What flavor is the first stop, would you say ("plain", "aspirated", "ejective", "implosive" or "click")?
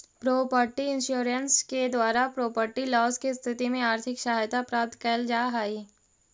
plain